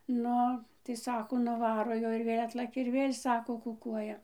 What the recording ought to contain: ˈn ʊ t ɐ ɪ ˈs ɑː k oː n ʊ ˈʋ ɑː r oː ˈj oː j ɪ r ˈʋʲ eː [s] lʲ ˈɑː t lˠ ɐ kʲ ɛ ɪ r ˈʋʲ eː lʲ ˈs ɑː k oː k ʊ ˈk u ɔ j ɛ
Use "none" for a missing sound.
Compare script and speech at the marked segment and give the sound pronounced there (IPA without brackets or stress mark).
none